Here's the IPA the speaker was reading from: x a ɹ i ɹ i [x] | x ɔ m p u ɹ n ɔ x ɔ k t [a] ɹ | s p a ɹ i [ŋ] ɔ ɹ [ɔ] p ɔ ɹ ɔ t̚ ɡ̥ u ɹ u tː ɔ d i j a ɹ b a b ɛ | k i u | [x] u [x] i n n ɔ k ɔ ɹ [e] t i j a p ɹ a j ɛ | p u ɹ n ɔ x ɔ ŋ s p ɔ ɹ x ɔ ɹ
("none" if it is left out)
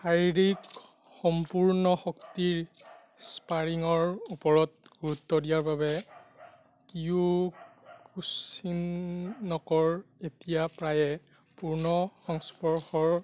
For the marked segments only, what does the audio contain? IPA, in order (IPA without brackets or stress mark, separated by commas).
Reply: k, i, ŋ, u, k, s, e